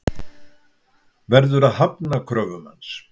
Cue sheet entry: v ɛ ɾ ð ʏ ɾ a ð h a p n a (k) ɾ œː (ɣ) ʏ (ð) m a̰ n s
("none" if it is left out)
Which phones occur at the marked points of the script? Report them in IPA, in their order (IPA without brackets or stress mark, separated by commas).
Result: kʰ, v, none